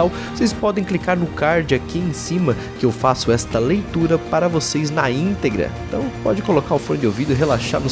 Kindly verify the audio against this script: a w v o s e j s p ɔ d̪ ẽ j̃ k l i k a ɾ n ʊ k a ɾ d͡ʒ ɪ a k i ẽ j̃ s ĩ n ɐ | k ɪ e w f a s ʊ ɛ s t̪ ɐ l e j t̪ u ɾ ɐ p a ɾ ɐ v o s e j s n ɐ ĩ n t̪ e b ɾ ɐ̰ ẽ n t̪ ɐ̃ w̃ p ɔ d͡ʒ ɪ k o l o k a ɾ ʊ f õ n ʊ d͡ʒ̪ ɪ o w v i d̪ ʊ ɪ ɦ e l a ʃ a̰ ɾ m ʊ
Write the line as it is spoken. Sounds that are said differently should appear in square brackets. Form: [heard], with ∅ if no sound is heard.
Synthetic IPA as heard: a w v o s e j s p ɔ d̪ ẽ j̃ k l i k a ɾ n ʊ k a ɾ d͡ʒ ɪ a k i ẽ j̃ s ĩ [m] ɐ | k ɪ e w f a s ʊ ɛ s t̪ ɐ l e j t̪ u ɾ ɐ p a ɾ ɐ v o s e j [z] n ɐ ĩ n t̪ e [ɡ] ɾ ɐ̰ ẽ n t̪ ɐ̃ w̃ p ɔ d͡ʒ ɪ k o l o k a ɾ ʊ f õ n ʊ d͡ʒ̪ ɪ o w v i d̪ ʊ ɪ ɦ e l a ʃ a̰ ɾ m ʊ